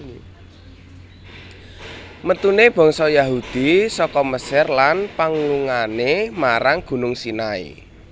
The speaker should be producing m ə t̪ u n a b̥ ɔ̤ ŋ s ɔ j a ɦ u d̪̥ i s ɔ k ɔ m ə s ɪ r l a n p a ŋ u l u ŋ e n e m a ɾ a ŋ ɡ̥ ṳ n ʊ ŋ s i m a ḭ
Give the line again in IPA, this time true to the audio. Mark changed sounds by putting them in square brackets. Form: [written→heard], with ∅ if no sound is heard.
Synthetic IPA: m ə t̪ u n [a→e] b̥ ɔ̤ ŋ s ɔ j a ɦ u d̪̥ i s ɔ k ɔ m ə s ɪ r l a n p a ŋ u l u ŋ [e→a] n e m a ɾ a ŋ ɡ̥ ṳ n ʊ ŋ s i [m→n] a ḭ